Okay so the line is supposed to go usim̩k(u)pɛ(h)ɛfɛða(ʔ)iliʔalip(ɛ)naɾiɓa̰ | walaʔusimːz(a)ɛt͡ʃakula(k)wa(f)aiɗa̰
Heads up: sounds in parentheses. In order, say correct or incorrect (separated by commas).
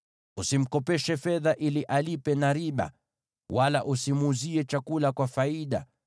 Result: incorrect, incorrect, correct, correct, incorrect, correct, correct